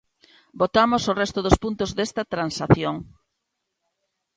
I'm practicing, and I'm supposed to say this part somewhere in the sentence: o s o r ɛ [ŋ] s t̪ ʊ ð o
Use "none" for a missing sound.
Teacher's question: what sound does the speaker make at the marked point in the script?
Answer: none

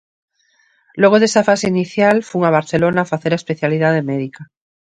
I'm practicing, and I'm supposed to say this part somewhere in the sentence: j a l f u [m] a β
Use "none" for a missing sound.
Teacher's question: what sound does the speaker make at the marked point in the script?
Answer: ŋ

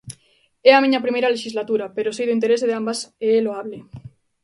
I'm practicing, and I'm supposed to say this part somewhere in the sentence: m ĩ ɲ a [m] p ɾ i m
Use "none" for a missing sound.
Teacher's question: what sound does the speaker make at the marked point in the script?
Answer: none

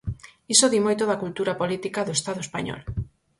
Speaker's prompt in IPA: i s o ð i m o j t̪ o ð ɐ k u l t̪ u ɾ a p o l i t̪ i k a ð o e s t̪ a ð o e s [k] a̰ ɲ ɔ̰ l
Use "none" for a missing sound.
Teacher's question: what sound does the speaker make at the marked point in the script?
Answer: p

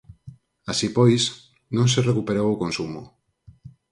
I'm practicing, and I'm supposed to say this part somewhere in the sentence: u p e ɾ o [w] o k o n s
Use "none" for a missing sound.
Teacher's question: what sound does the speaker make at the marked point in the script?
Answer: w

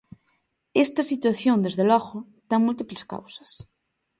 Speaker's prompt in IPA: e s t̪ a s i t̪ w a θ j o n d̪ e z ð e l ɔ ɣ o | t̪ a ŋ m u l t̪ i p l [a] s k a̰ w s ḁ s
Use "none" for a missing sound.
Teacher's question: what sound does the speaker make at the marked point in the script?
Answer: e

